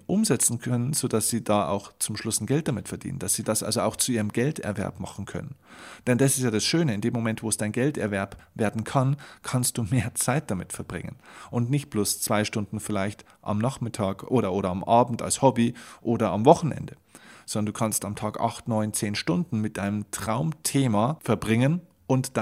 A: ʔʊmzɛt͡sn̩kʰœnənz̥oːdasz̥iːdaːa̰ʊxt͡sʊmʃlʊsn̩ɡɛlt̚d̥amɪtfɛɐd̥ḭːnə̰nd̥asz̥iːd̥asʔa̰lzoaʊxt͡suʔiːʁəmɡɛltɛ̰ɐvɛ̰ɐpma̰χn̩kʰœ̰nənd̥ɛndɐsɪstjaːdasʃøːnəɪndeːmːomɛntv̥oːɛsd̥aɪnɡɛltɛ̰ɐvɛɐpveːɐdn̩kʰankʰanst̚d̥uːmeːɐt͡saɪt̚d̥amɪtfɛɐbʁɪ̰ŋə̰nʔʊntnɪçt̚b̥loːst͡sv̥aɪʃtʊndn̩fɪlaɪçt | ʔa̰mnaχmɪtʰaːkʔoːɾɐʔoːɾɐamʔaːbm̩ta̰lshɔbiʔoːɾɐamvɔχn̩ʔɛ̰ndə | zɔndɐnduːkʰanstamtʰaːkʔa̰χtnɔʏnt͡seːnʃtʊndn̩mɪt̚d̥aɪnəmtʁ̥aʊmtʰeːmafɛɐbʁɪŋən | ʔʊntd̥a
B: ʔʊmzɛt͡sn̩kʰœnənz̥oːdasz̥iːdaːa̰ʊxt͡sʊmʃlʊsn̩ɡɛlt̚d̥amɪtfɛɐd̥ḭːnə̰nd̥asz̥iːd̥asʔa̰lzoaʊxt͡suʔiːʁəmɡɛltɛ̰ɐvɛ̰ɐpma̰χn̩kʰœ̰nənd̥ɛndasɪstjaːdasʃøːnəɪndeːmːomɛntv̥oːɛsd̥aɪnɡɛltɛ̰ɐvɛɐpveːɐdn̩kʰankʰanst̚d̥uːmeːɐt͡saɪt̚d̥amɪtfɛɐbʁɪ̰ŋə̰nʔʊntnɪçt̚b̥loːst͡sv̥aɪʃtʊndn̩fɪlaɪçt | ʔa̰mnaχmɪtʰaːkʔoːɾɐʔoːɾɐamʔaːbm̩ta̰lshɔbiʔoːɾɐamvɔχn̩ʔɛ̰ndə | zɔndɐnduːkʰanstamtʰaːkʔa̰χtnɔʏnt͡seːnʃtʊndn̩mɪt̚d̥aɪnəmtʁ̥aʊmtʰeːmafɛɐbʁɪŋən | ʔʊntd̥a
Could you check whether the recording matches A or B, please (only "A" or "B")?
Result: B